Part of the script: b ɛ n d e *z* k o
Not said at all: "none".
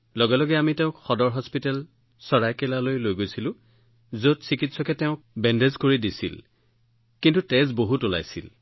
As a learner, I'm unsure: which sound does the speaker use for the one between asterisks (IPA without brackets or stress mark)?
z